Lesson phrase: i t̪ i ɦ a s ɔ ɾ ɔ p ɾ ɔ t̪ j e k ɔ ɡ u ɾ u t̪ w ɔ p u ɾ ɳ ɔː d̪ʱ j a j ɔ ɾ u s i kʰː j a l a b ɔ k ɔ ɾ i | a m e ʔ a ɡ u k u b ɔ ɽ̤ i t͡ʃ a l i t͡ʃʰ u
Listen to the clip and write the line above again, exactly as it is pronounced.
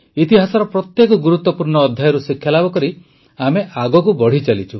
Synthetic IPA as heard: i t̪ i ɦ a s ɔ ɾ ɔ p ɾ ɔ t̪ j e k ɔ ɡ u ɾ u t̪ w ɔ p u ɾ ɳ ɔː d̪ʱ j a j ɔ ɾ u s i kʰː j a l a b ɔ k ɔ ɾ i | a m e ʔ a ɡ ɔ k u b ɔ ɽ̤ i t͡ʃ a l i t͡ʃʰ u